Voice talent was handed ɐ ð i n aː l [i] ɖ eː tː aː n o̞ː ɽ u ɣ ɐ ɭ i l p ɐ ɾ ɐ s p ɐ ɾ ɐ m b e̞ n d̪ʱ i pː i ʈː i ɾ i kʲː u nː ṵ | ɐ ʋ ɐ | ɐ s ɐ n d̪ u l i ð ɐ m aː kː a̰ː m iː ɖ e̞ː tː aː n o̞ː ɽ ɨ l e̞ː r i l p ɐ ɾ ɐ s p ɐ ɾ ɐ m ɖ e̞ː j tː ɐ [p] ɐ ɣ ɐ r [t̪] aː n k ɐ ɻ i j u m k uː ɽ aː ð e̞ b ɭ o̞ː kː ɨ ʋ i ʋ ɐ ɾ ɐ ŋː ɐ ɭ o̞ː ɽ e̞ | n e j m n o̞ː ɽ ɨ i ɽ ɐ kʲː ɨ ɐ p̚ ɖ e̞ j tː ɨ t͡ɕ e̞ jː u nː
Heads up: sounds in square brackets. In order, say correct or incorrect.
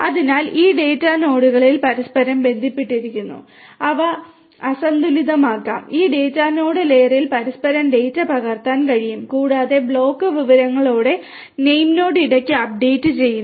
incorrect: iː, correct, correct

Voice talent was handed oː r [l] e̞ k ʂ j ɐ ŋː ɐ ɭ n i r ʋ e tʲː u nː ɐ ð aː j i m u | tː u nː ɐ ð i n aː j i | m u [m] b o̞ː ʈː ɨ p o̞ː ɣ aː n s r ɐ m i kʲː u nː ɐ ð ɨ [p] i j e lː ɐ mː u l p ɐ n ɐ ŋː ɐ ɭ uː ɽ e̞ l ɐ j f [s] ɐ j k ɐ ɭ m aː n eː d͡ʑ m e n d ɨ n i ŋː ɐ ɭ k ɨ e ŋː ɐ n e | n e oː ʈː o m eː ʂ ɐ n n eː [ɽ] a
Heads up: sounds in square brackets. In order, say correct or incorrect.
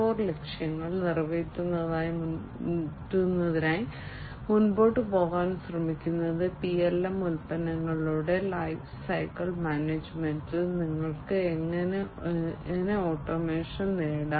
correct, incorrect: n, correct, correct, correct

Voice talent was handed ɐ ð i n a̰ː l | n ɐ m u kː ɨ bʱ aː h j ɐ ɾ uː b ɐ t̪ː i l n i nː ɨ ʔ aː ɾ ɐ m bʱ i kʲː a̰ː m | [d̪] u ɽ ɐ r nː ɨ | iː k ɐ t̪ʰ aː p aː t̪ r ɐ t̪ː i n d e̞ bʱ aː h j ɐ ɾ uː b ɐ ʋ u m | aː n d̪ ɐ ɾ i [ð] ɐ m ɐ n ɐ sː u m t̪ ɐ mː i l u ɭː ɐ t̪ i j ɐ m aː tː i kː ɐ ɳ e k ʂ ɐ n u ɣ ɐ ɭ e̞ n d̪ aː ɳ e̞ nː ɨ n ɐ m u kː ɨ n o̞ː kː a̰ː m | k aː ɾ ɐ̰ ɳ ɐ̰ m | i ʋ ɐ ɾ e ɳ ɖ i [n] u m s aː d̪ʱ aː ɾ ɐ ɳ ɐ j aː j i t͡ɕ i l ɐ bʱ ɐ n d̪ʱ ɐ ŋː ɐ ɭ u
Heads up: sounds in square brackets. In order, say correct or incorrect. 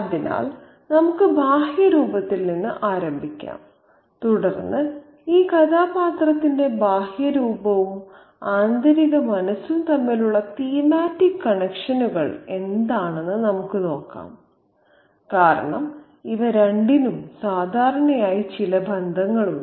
incorrect: t̪, incorrect: ɣ, correct

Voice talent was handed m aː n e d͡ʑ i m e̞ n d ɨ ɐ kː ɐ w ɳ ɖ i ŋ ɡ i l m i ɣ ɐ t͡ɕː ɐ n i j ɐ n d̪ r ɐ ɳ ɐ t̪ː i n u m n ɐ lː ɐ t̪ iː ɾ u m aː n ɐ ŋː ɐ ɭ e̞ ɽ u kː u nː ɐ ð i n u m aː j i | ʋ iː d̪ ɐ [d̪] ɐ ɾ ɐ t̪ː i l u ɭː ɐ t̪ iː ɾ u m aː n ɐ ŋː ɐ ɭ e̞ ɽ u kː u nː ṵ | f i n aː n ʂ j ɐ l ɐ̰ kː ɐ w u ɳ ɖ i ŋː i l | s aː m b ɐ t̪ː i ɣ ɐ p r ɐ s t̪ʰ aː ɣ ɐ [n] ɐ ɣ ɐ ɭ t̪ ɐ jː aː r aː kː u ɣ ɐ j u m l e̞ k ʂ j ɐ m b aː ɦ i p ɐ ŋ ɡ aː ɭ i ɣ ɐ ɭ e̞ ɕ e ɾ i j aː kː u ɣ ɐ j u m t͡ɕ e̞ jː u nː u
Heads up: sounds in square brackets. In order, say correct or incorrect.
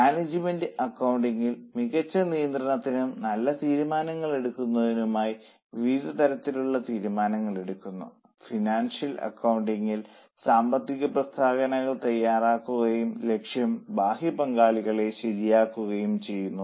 incorrect: t̪, correct

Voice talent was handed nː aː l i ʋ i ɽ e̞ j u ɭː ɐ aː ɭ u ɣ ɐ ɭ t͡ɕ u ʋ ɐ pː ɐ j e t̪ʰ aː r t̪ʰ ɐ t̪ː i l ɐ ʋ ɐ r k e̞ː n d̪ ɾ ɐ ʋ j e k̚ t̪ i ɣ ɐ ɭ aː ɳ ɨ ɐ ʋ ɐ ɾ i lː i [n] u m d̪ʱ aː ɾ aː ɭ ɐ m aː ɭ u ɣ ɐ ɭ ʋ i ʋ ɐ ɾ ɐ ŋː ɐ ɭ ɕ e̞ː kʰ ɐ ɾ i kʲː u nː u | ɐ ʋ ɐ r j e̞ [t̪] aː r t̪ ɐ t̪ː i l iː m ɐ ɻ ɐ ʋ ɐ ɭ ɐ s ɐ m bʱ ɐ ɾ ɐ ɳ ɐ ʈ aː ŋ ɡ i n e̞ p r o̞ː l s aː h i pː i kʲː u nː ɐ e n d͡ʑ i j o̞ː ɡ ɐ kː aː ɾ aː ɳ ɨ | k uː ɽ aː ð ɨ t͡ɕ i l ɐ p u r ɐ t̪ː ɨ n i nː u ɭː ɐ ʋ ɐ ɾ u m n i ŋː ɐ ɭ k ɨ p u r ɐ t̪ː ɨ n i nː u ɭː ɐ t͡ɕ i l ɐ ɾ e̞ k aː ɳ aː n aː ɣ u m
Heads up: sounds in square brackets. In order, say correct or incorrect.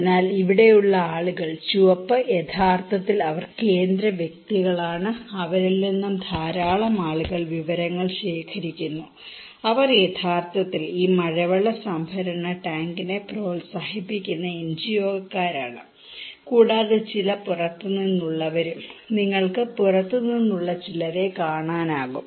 incorrect: nː, incorrect: t̪ʰ

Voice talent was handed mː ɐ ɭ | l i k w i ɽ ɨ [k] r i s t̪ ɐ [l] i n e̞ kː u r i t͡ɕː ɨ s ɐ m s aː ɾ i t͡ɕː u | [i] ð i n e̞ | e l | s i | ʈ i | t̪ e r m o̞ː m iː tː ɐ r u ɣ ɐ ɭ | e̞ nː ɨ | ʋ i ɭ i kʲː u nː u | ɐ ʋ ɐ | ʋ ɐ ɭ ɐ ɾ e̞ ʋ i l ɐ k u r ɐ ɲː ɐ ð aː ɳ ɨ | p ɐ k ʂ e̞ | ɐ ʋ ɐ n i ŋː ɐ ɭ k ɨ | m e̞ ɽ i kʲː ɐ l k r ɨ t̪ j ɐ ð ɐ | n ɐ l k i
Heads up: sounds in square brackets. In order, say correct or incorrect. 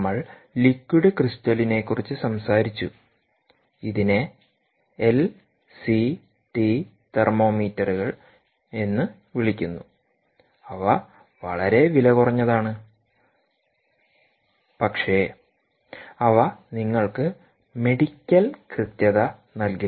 correct, correct, correct

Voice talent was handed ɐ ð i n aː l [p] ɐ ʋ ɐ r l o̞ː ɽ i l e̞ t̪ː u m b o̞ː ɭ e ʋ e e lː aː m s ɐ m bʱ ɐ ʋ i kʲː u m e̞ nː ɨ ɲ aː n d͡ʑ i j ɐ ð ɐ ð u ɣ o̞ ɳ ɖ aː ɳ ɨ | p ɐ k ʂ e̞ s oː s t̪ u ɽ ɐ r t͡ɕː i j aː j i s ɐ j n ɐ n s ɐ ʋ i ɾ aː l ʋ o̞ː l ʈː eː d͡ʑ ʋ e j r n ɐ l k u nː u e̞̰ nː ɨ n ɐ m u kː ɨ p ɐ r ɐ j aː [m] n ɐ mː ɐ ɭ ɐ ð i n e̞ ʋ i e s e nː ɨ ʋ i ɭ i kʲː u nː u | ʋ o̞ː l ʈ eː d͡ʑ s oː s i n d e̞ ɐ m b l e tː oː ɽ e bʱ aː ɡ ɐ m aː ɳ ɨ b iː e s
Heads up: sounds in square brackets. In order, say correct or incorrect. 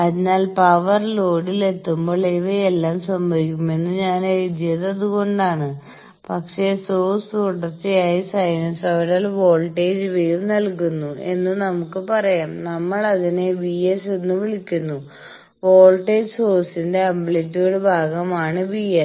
correct, correct

